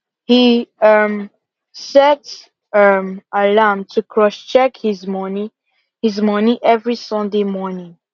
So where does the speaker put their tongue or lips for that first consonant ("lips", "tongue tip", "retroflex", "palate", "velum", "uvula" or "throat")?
throat